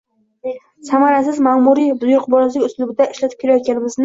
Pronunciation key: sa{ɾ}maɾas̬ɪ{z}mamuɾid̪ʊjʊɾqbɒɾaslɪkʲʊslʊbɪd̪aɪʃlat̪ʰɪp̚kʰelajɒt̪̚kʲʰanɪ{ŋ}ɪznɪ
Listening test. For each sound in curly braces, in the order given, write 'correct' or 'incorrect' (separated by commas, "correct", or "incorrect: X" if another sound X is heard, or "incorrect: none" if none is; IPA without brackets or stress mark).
incorrect: none, correct, incorrect: m